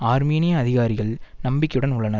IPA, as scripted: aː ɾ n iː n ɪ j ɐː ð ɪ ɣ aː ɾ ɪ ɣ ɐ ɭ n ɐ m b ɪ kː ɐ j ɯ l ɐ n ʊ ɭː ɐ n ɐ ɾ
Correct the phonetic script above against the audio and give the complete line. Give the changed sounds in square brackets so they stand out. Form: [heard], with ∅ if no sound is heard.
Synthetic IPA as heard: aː ɾ [m] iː n ɪ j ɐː ð ɪ ɣ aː ɾ ɪ ɣ ɐ ɭ n ɐ m b ɪ kː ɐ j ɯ [ɽ] ɐ n ʊ ɭː ɐ n ɐ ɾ